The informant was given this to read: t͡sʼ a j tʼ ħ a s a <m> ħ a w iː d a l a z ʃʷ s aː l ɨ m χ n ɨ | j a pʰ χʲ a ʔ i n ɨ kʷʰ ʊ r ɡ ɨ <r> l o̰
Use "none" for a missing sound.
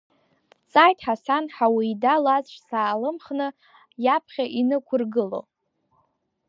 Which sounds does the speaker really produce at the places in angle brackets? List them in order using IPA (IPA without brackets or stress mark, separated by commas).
n, none